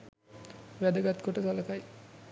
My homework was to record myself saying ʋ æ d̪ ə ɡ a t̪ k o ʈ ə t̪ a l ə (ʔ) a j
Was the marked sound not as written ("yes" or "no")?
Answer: yes